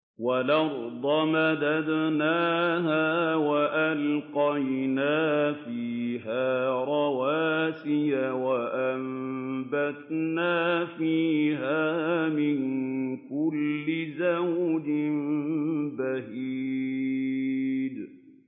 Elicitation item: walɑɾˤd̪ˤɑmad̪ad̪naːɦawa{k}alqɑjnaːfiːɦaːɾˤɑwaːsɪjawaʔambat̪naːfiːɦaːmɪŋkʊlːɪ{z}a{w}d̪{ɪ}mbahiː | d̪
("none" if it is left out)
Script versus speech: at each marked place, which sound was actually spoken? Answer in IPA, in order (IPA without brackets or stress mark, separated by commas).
ʔ, z, w, ɪ